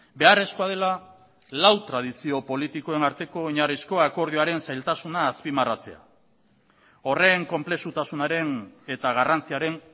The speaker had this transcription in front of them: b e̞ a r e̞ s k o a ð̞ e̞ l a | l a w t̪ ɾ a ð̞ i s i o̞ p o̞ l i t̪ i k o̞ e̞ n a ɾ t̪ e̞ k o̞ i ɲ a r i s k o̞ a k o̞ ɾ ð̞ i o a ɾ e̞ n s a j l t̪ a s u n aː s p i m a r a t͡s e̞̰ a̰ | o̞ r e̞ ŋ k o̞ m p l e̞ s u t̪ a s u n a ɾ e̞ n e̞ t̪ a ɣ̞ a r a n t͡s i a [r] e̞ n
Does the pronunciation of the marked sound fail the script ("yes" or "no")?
yes